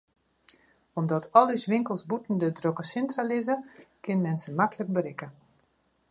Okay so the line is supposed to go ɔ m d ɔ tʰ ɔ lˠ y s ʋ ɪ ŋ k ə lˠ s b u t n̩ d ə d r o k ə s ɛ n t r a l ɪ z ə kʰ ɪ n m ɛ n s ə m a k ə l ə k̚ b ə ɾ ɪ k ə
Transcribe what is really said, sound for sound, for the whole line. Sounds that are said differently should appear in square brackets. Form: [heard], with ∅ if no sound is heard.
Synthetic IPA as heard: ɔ m d ɔ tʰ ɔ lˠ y s ʋ ɪ ŋ k ə lˠ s b u t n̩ d ə d r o k ə s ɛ n t r a l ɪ z ə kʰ ɪ n m ɛ n s ə m a k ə l ə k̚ b ə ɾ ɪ k ə